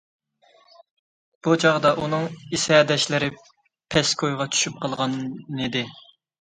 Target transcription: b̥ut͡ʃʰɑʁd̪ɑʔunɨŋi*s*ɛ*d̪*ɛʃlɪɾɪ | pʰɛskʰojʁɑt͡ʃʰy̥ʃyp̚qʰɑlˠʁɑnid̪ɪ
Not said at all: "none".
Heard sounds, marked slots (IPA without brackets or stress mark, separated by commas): s, d̪